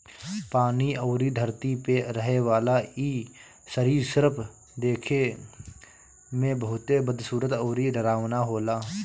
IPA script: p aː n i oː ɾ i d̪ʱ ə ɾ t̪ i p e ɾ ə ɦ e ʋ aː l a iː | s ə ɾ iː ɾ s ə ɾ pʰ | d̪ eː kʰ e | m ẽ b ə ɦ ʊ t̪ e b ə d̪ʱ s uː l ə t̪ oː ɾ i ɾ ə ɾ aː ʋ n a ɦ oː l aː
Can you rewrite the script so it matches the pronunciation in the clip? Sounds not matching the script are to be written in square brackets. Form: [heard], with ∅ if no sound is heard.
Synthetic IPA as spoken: p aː n i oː ɾ i d̪ʱ ə ɾ t̪ i p e ɾ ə ɦ e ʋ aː l a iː | s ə ɾ iː ɾ s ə ɾ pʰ | d̪ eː kʰ e | m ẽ b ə ɦ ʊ t̪ e b ə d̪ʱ s uː [ɾ] ə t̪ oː ɾ i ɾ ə ɾ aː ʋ n a ɦ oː l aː